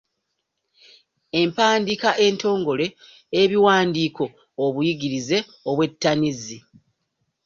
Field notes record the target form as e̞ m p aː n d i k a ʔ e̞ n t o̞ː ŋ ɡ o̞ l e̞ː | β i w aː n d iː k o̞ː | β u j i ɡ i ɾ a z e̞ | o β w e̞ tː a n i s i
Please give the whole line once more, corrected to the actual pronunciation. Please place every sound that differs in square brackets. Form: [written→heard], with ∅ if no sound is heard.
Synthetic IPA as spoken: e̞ m p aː n d i k a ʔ e̞ n t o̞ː ŋ ɡ o̞ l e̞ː | β i w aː n d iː k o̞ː | β u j i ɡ i ɾ [a→i] z e̞ | o β w e̞ tː a n i [s→z] i